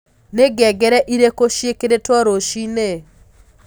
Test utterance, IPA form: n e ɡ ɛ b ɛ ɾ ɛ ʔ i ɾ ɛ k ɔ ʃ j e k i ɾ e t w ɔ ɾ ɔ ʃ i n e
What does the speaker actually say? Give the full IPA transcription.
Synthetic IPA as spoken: n e ɡ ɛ ɡ ɛ ɾ ɛ ʔ i ɾ e k o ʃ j e k e ɾ e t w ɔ ɾ o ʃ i n e